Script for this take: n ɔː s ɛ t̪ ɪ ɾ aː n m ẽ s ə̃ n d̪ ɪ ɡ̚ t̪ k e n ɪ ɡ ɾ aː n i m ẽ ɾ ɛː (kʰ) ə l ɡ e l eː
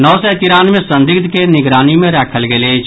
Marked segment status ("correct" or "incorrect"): correct